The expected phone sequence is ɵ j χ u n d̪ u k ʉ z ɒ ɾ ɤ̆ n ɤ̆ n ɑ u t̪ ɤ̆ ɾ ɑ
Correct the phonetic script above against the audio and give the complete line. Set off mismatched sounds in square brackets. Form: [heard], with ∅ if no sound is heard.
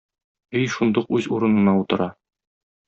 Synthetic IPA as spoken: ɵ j [ʃ] u n d̪ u [q] ʉ z [u] ɾ ɤ̆ n ɤ̆ n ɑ u t̪ ɤ̆ ɾ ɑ